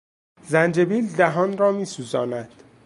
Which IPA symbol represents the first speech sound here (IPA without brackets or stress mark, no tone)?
z